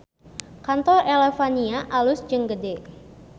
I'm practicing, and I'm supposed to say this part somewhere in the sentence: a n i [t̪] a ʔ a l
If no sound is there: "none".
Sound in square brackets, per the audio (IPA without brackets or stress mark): none